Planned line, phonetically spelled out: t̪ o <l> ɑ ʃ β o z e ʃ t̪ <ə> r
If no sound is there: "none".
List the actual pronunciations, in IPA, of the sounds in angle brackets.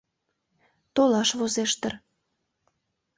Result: l, ə

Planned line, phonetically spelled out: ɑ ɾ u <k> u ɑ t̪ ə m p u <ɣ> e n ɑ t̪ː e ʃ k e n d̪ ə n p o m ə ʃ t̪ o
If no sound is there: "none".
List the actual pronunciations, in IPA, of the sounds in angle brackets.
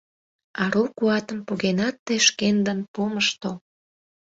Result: k, ɣ

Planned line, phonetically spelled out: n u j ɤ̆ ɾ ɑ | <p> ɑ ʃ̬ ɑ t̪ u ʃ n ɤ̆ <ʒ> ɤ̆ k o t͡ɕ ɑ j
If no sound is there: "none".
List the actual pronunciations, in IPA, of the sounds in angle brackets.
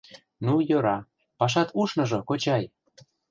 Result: p, ʒ

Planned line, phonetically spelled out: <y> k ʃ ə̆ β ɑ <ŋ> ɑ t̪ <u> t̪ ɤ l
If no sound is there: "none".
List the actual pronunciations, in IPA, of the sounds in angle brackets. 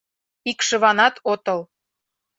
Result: i, n, o

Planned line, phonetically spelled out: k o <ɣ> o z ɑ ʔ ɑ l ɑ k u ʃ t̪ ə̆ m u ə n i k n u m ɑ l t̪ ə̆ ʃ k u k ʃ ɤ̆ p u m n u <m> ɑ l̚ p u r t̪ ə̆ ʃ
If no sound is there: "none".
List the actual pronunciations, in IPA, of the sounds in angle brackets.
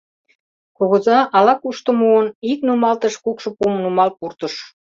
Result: ɣ, m

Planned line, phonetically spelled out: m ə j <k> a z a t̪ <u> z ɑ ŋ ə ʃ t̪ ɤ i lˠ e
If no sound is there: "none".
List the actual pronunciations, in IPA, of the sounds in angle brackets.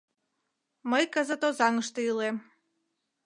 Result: k, o

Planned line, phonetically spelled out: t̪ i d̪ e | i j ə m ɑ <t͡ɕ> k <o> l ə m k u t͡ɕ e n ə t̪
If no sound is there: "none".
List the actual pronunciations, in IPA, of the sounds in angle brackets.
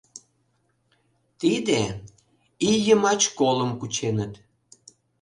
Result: t͡ɕ, o

